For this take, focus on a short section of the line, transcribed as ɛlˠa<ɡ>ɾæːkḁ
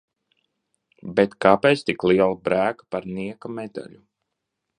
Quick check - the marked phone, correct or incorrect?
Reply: incorrect